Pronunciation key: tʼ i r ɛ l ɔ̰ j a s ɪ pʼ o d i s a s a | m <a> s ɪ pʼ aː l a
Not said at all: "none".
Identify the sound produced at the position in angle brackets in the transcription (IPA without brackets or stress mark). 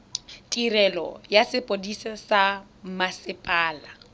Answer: a